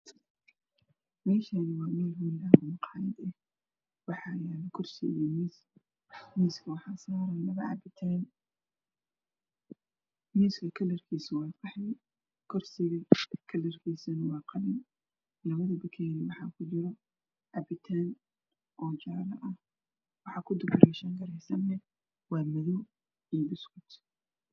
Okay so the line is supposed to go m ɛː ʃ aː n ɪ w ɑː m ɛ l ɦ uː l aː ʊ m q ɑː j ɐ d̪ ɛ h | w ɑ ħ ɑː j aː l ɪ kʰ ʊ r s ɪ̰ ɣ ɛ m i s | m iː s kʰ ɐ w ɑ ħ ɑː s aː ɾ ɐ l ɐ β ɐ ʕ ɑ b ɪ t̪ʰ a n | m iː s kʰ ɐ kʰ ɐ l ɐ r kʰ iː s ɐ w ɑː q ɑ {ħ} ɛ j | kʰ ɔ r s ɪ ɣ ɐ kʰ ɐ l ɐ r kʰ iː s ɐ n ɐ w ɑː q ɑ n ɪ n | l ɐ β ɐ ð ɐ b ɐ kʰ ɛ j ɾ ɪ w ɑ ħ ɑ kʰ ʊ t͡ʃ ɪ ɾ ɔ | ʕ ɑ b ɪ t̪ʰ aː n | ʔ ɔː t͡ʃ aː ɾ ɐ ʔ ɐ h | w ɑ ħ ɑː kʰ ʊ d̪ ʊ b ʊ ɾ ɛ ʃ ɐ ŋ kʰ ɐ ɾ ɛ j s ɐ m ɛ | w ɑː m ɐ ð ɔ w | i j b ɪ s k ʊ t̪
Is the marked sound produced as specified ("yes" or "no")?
yes